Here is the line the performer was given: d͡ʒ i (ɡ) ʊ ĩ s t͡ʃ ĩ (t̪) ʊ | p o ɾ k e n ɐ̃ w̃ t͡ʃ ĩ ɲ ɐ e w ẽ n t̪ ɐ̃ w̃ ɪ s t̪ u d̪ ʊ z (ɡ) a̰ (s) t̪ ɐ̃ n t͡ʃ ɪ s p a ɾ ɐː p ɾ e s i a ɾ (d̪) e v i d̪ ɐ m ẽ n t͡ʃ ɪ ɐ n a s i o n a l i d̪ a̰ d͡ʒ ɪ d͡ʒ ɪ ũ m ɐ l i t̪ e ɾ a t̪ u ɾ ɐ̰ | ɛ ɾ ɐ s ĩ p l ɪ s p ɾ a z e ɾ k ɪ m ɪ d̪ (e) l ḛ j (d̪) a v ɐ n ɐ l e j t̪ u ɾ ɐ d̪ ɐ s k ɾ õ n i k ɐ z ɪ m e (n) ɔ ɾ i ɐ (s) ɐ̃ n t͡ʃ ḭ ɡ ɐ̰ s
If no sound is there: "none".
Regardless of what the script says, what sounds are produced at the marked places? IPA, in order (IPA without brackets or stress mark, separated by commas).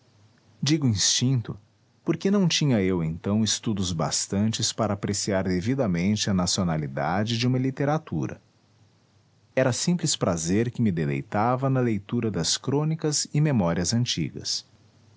ɡ, t̪, b, s, d̪, e, t̪, m, z